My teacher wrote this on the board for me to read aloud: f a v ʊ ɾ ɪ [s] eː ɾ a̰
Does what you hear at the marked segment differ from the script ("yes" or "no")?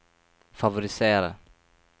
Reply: no